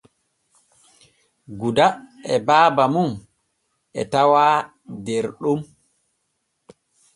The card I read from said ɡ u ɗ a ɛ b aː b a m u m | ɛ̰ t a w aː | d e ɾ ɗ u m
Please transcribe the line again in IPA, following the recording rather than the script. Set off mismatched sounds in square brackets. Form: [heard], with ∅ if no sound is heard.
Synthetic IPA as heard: ɡ u [d] a ɛ b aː b a m u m | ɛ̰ t a w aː | d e ɾ ɗ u m